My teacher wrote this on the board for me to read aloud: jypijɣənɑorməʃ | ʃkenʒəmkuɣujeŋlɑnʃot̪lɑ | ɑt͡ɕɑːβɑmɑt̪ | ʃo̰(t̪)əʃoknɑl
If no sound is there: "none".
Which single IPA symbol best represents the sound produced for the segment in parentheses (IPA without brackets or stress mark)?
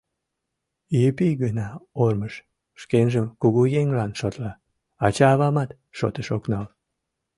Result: t̪